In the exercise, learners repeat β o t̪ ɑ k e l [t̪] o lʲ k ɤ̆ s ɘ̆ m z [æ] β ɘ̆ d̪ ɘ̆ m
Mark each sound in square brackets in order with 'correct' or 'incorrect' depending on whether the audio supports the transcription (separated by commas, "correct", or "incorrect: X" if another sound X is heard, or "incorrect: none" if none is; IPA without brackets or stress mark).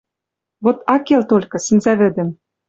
correct, correct